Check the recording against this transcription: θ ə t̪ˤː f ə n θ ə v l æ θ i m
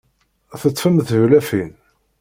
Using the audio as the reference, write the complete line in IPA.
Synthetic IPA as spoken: θ ə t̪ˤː f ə m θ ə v l æ f i n